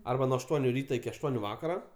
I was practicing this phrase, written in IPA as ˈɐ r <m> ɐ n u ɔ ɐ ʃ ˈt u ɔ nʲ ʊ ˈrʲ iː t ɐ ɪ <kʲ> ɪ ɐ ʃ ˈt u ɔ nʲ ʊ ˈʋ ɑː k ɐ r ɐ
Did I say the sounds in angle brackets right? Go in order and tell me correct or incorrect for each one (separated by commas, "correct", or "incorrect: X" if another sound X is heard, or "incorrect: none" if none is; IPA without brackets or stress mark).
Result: incorrect: b, correct